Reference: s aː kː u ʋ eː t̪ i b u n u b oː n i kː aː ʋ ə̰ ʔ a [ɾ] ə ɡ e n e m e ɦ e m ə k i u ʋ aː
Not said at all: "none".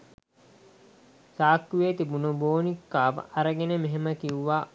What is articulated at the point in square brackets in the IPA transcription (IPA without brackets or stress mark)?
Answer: ɾ